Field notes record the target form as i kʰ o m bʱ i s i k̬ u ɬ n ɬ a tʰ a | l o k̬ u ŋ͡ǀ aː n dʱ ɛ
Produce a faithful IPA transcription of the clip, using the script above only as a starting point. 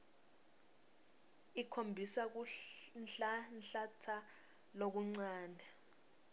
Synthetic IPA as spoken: i kʰ o m bʱ i s a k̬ u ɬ n ɬ a tʰ a | l o k̬ u ŋ͡ǀ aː n dʱ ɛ